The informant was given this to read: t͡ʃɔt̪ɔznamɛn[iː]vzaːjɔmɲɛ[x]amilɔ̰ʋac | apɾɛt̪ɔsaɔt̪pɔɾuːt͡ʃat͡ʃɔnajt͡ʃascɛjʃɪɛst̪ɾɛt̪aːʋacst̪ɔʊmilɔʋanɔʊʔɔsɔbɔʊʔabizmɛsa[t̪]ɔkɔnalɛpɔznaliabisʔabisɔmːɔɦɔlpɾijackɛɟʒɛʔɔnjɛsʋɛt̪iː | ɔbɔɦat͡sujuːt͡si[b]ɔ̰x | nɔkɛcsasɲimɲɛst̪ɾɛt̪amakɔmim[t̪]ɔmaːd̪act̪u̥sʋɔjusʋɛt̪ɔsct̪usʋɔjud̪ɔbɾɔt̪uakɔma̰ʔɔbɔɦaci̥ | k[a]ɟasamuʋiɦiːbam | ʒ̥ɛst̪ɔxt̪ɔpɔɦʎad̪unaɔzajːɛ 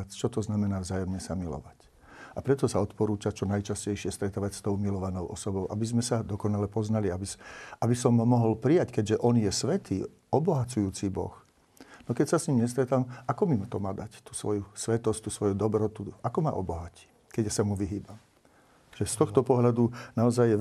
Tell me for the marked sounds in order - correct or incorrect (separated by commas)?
incorrect, incorrect, incorrect, correct, correct, incorrect